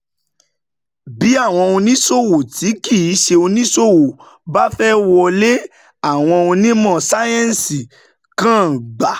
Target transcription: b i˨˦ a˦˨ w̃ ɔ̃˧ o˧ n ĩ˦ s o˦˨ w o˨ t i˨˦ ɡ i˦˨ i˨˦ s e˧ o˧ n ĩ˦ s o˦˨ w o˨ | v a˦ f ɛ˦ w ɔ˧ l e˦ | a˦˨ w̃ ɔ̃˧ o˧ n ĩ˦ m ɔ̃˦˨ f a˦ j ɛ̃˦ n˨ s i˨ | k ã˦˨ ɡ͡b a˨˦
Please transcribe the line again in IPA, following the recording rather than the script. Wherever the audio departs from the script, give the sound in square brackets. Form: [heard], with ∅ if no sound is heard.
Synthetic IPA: b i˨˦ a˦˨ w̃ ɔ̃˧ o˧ n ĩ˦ s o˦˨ w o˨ t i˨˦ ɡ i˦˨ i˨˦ [ʃ] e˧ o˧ n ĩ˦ s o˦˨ w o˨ | [b] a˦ f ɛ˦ w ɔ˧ l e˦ | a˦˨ w̃ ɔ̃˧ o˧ n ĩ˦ m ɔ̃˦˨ [s] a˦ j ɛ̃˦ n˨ s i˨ | k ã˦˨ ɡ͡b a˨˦